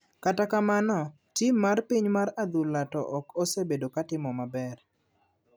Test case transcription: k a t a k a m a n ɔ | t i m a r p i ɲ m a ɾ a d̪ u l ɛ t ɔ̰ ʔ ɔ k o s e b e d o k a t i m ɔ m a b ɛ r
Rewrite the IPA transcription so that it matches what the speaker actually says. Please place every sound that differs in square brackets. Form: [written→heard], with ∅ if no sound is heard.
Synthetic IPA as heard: k a t a k a m a n ɔ | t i m a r p i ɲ m a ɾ a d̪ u l [ɛ→a] t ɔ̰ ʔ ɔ k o s e b e d o k a t [i→ɪ] m ɔ m a b ɛ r